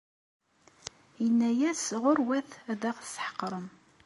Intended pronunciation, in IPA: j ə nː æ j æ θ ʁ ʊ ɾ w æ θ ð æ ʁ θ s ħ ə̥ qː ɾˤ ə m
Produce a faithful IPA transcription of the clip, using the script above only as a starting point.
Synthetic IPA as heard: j ə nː æ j æ s ʁ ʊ ɾ w æ θ ð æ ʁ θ s ħ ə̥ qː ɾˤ ə m